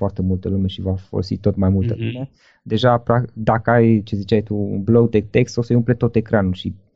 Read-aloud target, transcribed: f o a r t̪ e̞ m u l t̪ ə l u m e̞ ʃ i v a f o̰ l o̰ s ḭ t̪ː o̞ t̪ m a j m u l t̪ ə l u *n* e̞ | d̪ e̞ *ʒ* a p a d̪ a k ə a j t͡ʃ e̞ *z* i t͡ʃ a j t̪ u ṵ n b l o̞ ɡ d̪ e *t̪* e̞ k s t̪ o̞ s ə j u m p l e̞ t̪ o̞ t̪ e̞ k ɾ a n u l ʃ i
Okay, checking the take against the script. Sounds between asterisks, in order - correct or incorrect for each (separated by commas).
incorrect, correct, correct, correct